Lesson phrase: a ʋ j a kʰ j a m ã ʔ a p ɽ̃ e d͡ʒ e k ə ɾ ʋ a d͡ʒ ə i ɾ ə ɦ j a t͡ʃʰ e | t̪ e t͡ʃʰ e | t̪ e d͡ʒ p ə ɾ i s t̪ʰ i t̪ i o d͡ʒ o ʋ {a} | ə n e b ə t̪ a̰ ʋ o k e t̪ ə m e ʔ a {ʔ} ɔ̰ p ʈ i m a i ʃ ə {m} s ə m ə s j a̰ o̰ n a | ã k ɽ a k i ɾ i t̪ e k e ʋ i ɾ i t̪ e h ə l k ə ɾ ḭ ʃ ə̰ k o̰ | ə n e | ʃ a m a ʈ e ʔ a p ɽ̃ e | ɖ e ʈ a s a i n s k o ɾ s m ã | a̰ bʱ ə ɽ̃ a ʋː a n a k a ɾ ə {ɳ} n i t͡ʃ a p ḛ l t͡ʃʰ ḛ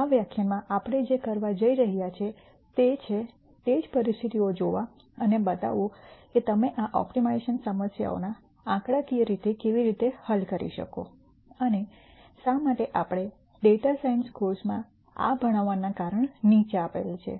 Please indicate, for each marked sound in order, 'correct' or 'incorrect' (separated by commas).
correct, correct, incorrect, correct